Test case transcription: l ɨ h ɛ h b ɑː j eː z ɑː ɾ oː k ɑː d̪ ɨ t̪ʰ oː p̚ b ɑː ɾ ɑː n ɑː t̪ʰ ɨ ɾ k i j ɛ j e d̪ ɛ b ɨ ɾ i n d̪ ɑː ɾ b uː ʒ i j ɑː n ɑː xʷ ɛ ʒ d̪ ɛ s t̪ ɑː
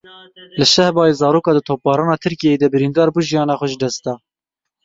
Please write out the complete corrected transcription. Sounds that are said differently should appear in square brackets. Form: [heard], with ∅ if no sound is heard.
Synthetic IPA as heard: l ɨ [ʃ] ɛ h b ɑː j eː z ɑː ɾ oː k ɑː d̪ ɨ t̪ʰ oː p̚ b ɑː ɾ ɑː n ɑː t̪ʰ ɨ ɾ k i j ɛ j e d̪ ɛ b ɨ ɾ i n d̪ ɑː ɾ b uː ʒ i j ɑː n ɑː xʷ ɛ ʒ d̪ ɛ s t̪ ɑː